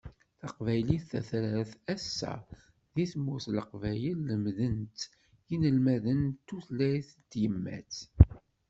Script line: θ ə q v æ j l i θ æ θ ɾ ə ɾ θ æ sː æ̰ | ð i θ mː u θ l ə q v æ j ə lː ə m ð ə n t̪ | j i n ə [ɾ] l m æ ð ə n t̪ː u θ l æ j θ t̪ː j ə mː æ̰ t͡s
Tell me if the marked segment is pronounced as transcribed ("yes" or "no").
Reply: no